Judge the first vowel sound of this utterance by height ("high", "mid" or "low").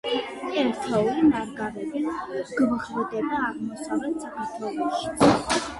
mid